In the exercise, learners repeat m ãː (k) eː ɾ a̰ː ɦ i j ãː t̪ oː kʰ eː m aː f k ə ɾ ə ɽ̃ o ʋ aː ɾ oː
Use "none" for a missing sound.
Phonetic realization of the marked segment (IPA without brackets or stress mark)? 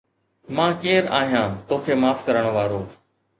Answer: k